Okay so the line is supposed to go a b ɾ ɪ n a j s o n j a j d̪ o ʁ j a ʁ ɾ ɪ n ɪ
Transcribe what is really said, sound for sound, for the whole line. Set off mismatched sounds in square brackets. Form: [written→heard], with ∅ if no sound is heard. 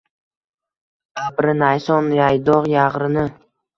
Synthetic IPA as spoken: a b ɾ ɪ n a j s [o→ɒ] n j a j d̪ [o→ɒ] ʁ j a ʁ ɾ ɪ n ɪ